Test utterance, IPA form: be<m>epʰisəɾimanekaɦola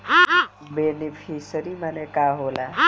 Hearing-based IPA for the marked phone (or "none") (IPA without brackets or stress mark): n